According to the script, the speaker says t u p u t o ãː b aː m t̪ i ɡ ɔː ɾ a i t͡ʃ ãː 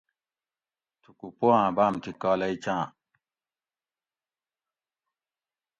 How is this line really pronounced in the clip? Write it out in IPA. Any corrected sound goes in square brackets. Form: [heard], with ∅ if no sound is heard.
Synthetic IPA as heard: t u [k] u [p] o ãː b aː m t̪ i [k] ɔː [l] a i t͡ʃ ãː